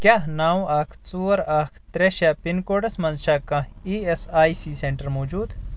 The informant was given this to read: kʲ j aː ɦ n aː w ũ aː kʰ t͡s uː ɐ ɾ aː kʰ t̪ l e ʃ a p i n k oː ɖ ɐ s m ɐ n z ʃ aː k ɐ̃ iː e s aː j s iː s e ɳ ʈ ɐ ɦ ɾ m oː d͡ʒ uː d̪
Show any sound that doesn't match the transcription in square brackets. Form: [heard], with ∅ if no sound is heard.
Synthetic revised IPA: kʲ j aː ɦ n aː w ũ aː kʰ t͡s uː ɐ ɾ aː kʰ t̪ [ɾ] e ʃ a p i n k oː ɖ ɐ s m ɐ n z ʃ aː k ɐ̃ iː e s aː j s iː s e ɳ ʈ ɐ [∅] ɾ m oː d͡ʒ uː d̪